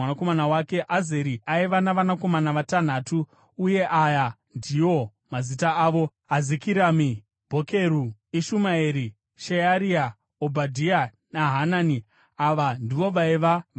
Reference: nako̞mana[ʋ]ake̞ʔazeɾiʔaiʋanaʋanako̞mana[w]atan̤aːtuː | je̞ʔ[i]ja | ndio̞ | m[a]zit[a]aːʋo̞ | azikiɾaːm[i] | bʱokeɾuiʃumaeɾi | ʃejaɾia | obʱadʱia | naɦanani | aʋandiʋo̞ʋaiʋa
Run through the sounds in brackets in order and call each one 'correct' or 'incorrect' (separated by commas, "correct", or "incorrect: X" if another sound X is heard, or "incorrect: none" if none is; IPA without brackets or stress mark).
incorrect: w, incorrect: ʋ, incorrect: a, correct, correct, correct